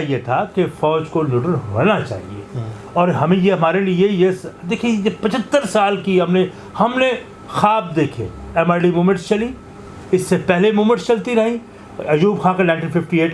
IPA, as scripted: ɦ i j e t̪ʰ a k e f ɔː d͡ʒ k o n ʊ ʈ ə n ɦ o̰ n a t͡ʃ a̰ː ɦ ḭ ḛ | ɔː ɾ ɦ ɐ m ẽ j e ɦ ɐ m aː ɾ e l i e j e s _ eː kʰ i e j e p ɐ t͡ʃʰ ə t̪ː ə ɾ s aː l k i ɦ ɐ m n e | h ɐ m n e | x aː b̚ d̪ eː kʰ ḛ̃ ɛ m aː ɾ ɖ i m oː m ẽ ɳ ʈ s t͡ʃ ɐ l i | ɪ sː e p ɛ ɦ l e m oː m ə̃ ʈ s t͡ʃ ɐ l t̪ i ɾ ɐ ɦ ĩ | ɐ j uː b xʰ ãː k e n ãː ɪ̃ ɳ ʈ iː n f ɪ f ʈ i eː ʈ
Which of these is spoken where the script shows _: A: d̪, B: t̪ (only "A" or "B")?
A